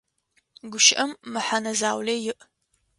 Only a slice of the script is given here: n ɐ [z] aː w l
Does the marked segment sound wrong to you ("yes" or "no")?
no